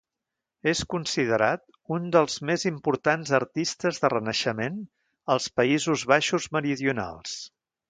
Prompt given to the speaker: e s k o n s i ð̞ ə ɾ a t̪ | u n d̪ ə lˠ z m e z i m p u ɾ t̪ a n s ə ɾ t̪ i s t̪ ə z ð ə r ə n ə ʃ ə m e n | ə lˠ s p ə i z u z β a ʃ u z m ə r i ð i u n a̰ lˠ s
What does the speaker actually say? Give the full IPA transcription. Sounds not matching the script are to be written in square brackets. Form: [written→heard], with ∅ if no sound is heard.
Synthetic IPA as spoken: e s k [o→u] n s i ð̞ ə ɾ a t̪ | u n d̪ ə lˠ z m e z i m p u ɾ t̪ a n [s→z] ə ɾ t̪ i s t̪ ə z ð ə r ə n ə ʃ ə m e n | ə lˠ s p ə i z u z β a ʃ u z m ə [r→ɾ] i ð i u n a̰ lˠ s

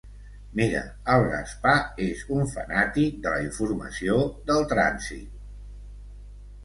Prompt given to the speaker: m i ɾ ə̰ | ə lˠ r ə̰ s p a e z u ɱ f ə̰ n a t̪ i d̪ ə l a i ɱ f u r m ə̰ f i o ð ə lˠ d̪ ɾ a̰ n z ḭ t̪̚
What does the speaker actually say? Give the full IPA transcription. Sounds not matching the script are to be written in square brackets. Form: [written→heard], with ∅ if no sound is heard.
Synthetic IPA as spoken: m i ɾ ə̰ | ə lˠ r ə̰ s p a e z u ɱ f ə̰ n a t̪ i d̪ ə l [a→ə] i ɱ f u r m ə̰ [f→s] i o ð ə lˠ [d̪→t̪] ɾ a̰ n z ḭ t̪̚

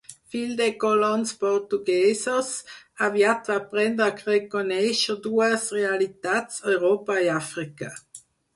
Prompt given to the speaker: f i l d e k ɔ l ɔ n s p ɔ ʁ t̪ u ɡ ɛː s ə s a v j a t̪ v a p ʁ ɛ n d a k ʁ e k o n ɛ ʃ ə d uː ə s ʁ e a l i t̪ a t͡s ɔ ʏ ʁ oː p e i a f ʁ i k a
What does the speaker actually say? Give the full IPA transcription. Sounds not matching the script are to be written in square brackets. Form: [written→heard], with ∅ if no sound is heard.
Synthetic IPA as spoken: f i l d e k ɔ l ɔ n s p ɔ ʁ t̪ u ɡ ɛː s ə s a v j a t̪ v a p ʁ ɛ n d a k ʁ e k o n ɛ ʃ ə d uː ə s ʁ e a l i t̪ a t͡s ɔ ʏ ʁ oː p [e→a] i a f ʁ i k a

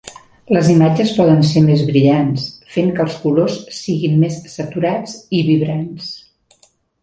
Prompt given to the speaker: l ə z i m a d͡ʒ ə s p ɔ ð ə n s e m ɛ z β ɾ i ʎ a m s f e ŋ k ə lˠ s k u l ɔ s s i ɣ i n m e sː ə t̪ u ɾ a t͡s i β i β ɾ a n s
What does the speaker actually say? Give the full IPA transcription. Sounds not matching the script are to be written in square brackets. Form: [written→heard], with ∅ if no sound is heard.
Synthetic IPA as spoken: l ə z i m a d͡ʒ ə s p ɔ ð ə n s e m [ɛ→e] z β ɾ i ʎ a [m→n] s f e ŋ k ə lˠ s k u l [ɔ→o] s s i ɣ i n m e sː ə t̪ u ɾ a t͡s i β i β ɾ a n s

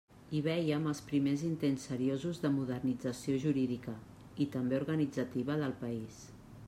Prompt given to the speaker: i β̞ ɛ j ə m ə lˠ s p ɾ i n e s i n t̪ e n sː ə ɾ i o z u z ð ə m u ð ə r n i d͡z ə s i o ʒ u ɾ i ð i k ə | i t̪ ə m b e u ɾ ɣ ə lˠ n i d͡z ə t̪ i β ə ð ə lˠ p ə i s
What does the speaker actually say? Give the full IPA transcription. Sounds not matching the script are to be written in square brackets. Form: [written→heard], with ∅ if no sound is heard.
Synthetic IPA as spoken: i β̞ ɛ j ə m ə lˠ s p ɾ i [n→m] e [s→z] i n t̪ e n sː ə ɾ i o z u z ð ə m u ð ə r n i d͡z ə s i o ʒ u ɾ i ð i k ə | i t̪ ə m b e u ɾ ɣ ə [lˠ→∅] n i d͡z ə t̪ i β ə ð ə lˠ p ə i s

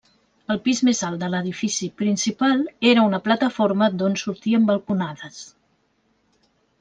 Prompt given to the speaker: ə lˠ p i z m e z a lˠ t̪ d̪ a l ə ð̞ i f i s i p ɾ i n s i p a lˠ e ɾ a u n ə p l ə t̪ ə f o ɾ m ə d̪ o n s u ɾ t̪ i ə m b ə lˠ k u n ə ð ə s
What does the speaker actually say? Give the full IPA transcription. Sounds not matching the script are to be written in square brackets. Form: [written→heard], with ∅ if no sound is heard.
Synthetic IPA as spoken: ə lˠ p i z m e z a lˠ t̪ d̪ [a→ə] l ə ð̞ i f i s i p ɾ i n s i p a lˠ e ɾ [a→ə] u n ə p l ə t̪ ə f o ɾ m ə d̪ o n s u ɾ t̪ i ə m b ə lˠ k u n [ə→a] ð ə s

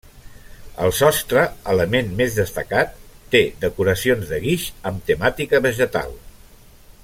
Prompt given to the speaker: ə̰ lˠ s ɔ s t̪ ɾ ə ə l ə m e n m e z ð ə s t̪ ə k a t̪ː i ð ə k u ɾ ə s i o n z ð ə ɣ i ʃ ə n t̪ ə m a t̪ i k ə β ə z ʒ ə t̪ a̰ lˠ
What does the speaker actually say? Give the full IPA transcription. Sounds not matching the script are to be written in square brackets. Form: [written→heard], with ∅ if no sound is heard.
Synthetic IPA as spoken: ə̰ lˠ s ɔ s t̪ ɾ ə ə l ə m e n m e z ð ə s t̪ ə k a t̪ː [i→e] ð ə k u ɾ ə s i o n z ð ə ɣ i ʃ ə [n→m] t̪ ə m a t̪ i k ə β ə [z→∅] ʒ ə t̪ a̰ lˠ

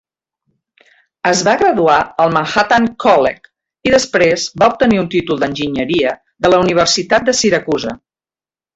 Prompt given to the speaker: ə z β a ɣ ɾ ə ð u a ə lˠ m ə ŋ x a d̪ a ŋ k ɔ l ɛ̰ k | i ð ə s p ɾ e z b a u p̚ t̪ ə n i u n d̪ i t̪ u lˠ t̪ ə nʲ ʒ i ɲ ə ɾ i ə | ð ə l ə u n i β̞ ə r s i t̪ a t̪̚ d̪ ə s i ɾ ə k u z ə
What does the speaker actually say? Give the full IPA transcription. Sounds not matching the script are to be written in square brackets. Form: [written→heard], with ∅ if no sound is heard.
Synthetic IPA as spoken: ə z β a ɣ ɾ ə ð u a ə lˠ m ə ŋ x a [d̪→t̪] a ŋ k ɔ l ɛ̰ k | i ð ə s p ɾ e z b a u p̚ t̪ ə n i u n [d̪→t̪] i t̪ u lˠ [t̪→d̪] ə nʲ ʒ i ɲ ə ɾ i ə | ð ə l ə u n i β̞ ə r s i t̪ a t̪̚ d̪ ə s i ɾ ə k u z ə

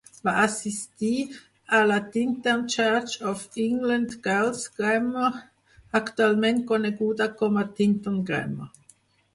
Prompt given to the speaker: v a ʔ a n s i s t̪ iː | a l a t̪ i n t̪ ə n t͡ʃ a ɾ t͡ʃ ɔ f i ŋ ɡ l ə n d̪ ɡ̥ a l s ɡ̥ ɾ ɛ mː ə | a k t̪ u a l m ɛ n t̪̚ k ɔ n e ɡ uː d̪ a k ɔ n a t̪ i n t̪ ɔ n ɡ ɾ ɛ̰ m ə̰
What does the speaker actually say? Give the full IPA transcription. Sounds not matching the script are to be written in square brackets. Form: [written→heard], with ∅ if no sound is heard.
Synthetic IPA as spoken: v a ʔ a [n→∅] s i s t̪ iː | a l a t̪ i n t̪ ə n t͡ʃ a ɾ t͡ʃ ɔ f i ŋ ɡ l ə n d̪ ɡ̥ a l s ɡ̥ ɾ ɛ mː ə | a k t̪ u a l m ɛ n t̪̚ k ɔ n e ɡ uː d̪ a k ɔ [n→m] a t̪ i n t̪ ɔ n ɡ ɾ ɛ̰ m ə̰

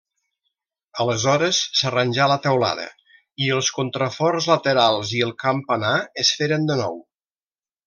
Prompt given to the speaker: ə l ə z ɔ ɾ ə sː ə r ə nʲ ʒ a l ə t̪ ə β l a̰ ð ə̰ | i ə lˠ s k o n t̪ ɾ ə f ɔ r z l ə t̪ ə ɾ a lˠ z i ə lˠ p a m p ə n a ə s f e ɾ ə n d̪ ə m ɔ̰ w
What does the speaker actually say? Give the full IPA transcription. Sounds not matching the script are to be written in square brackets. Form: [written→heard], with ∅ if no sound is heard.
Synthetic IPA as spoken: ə l ə z ɔ ɾ ə sː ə r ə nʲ ʒ a l ə t̪ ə [β→w] l a̰ ð ə̰ | i ə lˠ s k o n t̪ ɾ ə f ɔ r z l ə t̪ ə ɾ a lˠ z i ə lˠ [p→k] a m p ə n a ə s f e ɾ ə n d̪ ə [m→n] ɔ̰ w

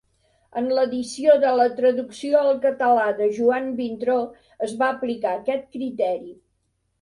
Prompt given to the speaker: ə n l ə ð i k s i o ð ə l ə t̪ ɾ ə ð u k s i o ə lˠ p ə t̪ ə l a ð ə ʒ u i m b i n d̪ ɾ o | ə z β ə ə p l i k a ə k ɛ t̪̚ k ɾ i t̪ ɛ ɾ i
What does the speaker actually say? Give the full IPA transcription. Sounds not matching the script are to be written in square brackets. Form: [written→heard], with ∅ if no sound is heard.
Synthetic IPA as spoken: ə n l ə ð i [k→∅] s i o ð ə l ə t̪ ɾ ə ð u k s i o ə lˠ [p→k] ə t̪ ə l a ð ə ʒ u [i→a] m b i n [d̪→t̪] ɾ o | ə z β [ə→a] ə p l i k a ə k ɛ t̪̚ k ɾ i t̪ ɛ ɾ i

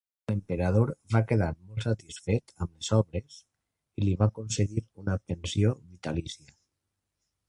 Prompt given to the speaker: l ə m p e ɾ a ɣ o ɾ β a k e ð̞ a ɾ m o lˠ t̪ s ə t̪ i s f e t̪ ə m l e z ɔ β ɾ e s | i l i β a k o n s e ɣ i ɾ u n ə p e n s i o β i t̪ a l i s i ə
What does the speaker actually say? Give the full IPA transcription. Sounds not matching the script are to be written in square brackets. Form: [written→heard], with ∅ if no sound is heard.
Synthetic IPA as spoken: l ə m p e ɾ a [ɣ→ð] o ɾ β a k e ð̞ a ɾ m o lˠ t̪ s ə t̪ i s f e t̪ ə m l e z ɔ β ɾ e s | i l i β a k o n s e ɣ i ɾ u n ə p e n s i o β i t̪ a l i s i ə

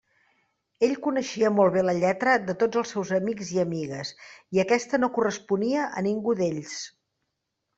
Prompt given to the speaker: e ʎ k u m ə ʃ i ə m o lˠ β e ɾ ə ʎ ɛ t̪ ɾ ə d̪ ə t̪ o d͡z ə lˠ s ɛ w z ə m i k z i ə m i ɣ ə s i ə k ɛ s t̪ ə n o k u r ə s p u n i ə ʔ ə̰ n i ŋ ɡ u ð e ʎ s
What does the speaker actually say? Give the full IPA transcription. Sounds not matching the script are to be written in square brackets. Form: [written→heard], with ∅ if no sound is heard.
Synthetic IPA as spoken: e ʎ k u [m→n] ə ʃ i ə m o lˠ β e [ɾ→l] ə ʎ ɛ t̪ ɾ ə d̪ ə t̪ o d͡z ə lˠ s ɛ w z ə m i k z i ə m i ɣ ə s i ə k ɛ s t̪ ə n o k u r ə s p u n i ə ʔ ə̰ n i ŋ ɡ u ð e ʎ s

